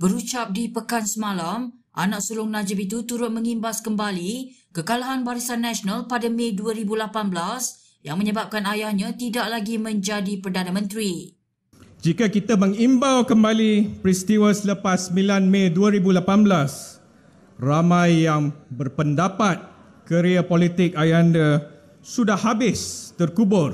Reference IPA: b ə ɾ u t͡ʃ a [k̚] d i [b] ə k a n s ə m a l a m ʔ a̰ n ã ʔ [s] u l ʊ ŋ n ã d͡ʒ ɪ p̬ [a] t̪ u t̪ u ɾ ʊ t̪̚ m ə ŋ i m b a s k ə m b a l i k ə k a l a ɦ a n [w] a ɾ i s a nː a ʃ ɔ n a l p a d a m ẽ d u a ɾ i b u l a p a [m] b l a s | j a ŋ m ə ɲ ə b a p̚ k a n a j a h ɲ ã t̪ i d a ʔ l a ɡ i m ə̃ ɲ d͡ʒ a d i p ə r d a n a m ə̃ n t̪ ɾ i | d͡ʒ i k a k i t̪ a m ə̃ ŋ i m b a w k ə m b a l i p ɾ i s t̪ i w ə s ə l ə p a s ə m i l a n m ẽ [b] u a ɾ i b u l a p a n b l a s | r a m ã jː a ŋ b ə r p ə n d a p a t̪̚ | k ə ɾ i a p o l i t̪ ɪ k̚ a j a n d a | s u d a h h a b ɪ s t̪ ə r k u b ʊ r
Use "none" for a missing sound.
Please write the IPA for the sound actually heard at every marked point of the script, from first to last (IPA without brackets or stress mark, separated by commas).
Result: p̚, p, s, i, b, n, d